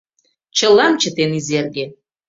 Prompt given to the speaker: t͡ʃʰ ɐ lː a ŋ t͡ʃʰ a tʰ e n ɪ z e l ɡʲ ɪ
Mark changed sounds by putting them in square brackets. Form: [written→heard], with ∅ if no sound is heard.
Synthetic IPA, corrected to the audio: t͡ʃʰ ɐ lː a [ŋ→m] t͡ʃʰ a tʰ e n [ɪ→i] z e [l→r] ɡʲ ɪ